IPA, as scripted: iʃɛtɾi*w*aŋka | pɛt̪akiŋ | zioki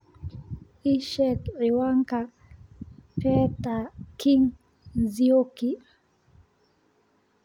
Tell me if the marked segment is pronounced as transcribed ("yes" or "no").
yes